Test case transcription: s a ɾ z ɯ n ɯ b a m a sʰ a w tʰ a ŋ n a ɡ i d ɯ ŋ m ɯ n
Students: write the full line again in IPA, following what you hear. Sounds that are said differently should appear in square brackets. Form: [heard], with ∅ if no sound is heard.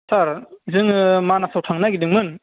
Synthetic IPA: s a ɾ z ɯ [ŋ] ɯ [m] a [n] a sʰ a w tʰ a ŋ n a ɡ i d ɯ ŋ m ɯ n